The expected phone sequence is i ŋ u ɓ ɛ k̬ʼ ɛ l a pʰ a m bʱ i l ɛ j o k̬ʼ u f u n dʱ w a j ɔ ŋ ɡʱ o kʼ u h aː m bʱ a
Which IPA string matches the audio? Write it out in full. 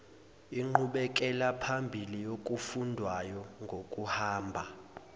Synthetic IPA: i ŋ͡ǃ u ɓ ɛ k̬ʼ ɛ l a pʰ a m bʱ i l i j o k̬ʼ u f u n dʱ w a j ɔ ŋ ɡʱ o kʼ u h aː m bʱ a